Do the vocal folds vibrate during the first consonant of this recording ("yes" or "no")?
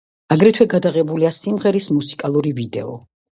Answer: yes